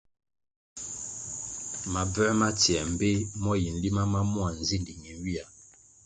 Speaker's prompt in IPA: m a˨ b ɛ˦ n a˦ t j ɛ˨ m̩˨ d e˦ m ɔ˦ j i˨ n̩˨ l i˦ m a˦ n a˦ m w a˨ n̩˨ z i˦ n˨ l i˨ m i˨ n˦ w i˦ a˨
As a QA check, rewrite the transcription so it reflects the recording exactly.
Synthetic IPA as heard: m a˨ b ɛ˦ m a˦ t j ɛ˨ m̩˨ b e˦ m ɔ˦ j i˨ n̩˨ l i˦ m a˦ m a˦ m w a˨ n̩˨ z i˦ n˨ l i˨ ŋ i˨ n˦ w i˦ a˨